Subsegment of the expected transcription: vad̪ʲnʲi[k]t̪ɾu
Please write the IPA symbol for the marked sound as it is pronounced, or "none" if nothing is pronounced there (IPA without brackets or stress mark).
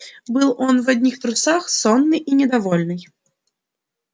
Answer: x